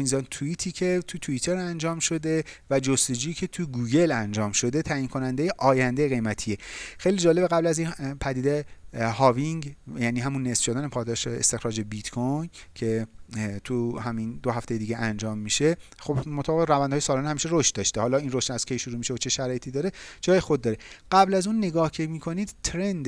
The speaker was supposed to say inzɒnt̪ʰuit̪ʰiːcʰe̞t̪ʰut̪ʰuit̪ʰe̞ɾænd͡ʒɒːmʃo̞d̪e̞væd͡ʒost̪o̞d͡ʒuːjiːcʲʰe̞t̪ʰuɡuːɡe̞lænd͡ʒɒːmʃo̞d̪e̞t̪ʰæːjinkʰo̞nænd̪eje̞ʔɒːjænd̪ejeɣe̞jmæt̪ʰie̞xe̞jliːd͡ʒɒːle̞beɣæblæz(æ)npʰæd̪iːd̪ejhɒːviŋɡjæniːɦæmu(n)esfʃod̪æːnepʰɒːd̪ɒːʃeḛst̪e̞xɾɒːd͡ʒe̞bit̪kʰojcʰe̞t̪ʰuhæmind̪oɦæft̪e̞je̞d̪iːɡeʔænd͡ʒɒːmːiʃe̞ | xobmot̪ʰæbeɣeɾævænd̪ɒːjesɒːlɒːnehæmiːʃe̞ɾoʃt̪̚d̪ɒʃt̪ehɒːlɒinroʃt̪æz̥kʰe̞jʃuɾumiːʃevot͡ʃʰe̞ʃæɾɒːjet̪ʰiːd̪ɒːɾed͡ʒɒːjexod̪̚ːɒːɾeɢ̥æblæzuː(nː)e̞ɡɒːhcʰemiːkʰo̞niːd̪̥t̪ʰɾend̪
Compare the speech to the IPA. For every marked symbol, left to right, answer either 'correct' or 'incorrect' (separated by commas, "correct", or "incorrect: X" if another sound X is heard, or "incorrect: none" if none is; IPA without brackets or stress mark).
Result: incorrect: i, incorrect: nː, correct